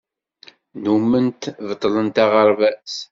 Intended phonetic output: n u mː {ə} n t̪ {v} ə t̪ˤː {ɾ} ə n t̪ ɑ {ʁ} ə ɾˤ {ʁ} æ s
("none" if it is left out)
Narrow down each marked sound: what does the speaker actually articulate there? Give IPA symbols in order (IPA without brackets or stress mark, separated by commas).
ə, v, l, ʁ, v